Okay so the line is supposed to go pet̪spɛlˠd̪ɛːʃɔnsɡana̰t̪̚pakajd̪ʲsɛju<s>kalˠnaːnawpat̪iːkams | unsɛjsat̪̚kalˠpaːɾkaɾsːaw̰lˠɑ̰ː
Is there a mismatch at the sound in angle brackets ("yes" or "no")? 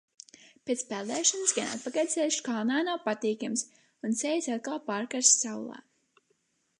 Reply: yes